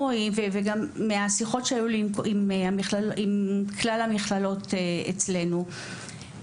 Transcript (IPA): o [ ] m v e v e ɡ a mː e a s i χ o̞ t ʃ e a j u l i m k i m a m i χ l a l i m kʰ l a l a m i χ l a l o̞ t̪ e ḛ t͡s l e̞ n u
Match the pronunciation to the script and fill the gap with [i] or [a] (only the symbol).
i